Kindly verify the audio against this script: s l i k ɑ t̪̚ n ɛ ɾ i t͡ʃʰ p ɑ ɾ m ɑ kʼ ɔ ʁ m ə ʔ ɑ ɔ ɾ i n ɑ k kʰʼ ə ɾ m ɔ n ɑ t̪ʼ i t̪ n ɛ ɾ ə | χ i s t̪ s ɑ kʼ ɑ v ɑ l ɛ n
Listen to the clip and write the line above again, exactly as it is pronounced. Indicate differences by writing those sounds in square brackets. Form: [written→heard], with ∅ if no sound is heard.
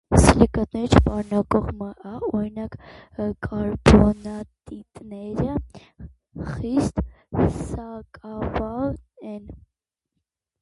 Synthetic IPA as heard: s l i k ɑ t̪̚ n ɛ ɾ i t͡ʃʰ p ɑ ɾ [m→n] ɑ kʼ ɔ ʁ m ə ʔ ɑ ɔ ɾ i n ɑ k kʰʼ [ə→ɑ] ɾ [m→b] ɔ n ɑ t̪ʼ i t̪ n ɛ ɾ ə | χ i s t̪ s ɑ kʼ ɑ v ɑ l ɛ n